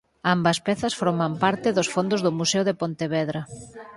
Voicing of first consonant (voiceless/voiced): voiced